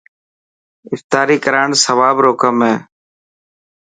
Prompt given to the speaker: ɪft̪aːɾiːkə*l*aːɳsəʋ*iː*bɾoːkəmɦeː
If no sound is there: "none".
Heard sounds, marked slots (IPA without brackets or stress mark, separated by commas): ɾ, aː